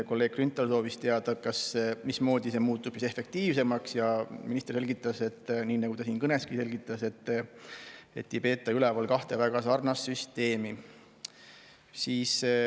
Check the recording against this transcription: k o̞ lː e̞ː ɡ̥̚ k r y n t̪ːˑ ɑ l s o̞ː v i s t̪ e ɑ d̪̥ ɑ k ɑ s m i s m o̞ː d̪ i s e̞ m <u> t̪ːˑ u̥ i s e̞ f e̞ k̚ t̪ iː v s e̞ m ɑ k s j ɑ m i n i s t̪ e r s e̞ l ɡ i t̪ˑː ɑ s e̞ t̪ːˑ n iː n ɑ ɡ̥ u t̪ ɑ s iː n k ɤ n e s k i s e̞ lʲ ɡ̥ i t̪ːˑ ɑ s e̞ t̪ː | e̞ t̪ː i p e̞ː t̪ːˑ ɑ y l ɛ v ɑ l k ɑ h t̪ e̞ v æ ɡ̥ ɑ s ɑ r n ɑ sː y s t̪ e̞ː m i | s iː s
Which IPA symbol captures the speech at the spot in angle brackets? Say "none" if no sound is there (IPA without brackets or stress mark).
uː